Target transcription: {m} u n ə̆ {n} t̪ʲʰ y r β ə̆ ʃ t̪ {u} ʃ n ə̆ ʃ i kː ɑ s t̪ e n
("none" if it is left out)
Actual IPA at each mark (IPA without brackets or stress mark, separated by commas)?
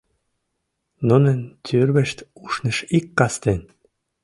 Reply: n, n, u